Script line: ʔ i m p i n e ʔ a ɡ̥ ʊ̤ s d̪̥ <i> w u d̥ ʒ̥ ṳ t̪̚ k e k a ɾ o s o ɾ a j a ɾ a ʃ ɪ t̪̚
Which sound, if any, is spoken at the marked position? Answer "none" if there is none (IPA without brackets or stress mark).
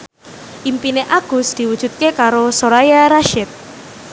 i